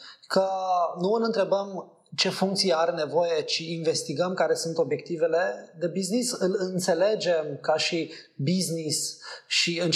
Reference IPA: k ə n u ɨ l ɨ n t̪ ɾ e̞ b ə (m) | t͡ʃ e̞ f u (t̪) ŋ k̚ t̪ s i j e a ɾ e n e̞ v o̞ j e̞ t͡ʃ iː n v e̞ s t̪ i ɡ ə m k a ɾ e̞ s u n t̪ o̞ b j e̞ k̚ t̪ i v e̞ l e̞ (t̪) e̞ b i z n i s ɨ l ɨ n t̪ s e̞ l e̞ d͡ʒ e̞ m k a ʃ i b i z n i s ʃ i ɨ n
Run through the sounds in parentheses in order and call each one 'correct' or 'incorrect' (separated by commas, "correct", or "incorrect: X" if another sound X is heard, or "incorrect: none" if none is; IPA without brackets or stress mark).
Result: correct, incorrect: none, incorrect: d̪